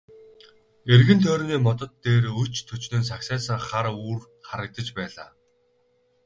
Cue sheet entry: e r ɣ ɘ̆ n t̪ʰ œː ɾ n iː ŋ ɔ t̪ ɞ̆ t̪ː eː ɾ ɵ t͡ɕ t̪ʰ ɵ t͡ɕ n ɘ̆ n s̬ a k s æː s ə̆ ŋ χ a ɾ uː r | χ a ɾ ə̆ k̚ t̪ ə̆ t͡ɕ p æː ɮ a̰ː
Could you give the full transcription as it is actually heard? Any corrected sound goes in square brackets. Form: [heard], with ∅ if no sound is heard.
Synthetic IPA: e r ɣ ɘ̆ n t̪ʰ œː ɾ n iː [m] ɔ t̪ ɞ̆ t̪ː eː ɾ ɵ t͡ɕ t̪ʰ ɵ t͡ɕ n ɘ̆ n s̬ a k s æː s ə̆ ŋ χ a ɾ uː r | χ a ɾ ə̆ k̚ t̪ ə̆ t͡ɕ p æː ɮ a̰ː

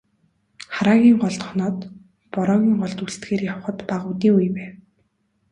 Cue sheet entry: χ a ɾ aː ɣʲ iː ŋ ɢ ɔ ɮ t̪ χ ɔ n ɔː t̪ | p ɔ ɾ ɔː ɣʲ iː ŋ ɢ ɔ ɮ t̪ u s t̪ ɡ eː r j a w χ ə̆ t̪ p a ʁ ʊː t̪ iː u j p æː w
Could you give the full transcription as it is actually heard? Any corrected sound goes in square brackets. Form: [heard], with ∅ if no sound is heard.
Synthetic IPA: χ a ɾ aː ɣʲ iː ŋ ɢ ɔ ɮ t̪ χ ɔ n ɔː t̪ | p ɔ ɾ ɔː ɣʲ iː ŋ ɢ ɔ ɮ t̪ u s t̪ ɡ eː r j a w χ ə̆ t̪ p a ʁ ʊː t̪ iː u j p æː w

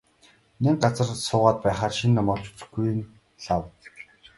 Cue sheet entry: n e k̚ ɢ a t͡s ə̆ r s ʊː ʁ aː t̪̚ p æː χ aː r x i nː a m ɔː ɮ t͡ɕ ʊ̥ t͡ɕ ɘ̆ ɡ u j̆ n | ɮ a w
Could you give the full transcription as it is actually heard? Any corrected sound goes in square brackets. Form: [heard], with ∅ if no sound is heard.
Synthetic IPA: n e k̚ ɢ a t͡s ə̆ r s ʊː ʁ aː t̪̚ p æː χ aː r [ʃ] i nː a m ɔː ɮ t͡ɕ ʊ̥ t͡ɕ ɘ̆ ɡ u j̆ n | ɮ a w

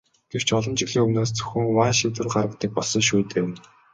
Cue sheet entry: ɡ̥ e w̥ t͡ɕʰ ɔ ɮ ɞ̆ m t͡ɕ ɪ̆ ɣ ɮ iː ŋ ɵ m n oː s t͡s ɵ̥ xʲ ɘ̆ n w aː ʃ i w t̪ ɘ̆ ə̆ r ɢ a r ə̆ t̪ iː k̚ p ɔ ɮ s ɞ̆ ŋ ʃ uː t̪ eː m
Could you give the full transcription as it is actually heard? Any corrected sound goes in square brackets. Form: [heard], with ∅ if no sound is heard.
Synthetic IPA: ɡ̥ e w̥ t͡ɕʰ ɔ ɮ ɞ̆ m t͡ɕ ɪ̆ ɣ ɮ iː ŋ ɵ m n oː s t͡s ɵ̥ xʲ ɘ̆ [ŋ] w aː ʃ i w t̪ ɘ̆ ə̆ r ɢ a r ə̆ t̪ iː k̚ p ɔ ɮ s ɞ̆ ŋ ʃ uː t̪ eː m

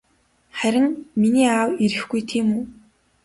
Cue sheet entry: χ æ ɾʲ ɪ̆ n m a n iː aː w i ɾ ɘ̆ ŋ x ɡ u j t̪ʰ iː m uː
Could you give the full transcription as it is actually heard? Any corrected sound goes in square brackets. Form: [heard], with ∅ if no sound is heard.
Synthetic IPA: χ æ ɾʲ ɪ̆ [ŋ] m [i] n iː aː w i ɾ ɘ̆ [∅] x ɡ u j t̪ʰ iː m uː

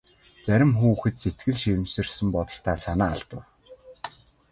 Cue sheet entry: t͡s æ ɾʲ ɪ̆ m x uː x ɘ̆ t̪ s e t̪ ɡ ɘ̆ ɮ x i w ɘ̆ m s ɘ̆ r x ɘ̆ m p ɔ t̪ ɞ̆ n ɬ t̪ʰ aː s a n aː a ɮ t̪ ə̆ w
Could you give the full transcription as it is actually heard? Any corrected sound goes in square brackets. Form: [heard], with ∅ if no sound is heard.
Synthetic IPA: t͡s æ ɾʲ ɪ̆ m x uː x ɘ̆ t̪ s e t̪ ɡ ɘ̆ ɮ [ʃ] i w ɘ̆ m s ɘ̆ r [s] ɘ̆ m p ɔ t̪ ɞ̆ [∅] ɬ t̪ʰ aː s a n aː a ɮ t̪ ə̆ w

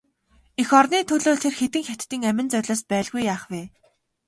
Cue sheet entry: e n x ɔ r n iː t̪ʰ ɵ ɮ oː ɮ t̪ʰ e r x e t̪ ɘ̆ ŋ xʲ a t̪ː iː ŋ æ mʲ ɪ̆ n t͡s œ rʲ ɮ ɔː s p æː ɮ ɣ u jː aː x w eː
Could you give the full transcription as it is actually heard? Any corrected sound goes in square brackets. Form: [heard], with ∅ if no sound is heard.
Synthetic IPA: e [∅] x ɔ r n iː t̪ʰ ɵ ɮ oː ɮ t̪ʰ e r x e t̪ ɘ̆ ŋ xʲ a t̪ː iː ŋ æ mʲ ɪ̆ n t͡s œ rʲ ɮ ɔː s p æː ɮ ɣ u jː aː [χ] w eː

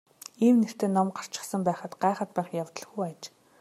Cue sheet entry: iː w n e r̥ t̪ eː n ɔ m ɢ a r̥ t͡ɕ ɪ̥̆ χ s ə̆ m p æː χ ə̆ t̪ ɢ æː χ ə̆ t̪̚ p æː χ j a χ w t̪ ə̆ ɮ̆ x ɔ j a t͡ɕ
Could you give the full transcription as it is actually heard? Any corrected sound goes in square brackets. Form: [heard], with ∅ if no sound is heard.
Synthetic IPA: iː w n e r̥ t̪ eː n ɔ m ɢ a r̥ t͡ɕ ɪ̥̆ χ s ə̆ m p æː χ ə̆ t̪ ɢ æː χ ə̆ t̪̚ p æː χ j a [∅] w t̪ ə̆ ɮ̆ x [u] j a t͡ɕ

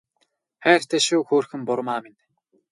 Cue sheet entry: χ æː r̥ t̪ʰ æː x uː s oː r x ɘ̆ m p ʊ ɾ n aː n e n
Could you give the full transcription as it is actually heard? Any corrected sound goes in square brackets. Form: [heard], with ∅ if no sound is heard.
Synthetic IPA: [x] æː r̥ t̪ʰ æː [ʃ] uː [x] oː r x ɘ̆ m p ʊ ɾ [m] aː [m] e n

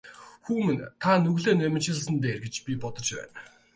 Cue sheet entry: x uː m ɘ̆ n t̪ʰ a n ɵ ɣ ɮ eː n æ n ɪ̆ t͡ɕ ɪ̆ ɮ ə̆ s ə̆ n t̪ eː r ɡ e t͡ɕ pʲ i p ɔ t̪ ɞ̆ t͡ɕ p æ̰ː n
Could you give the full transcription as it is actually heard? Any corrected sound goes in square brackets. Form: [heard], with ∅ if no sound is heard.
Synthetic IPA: x uː m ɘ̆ n t̪ʰ a n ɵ ɣ ɮ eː n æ [m] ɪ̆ t͡ɕ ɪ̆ ɮ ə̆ s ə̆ n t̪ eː r ɡ e t͡ɕ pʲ i p ɔ t̪ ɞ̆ t͡ɕ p æ̰ː n

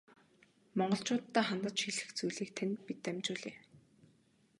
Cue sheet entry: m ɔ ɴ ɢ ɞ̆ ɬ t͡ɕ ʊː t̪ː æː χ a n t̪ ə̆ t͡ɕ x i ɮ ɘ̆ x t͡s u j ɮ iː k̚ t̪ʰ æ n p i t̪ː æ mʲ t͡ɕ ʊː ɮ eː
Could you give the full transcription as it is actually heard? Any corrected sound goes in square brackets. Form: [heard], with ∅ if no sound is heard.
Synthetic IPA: m ɔ ɴ ɢ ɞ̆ ɬ t͡ɕ ʊː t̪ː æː χ a n t̪ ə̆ t͡ɕ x i ɮ ɘ̆ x t͡s u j ɮ iː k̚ t̪ʰ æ n p i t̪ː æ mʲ t͡ɕ ʊː ɮ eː

